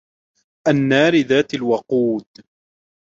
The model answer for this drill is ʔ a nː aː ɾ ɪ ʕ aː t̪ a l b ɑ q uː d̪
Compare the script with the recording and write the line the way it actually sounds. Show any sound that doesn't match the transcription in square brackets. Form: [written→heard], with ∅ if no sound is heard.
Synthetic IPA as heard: ʔ a nː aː ɾ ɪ [ʕ→ð] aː t̪ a l [b→w] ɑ q uː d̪